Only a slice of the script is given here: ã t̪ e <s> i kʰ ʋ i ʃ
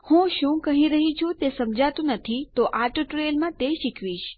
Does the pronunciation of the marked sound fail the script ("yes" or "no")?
yes